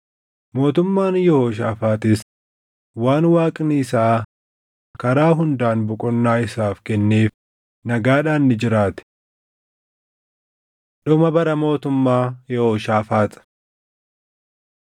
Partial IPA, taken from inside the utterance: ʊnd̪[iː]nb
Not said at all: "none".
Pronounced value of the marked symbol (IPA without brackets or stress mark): aː